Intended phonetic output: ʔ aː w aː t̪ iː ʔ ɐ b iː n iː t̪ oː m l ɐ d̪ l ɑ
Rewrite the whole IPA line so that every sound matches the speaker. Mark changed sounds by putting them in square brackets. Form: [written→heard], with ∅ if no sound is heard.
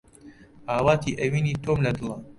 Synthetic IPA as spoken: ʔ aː w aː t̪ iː ʔ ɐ [b→w] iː n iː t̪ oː m l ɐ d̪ l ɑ